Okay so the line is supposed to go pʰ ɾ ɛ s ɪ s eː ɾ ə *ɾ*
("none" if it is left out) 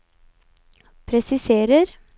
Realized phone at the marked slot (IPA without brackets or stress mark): ɾ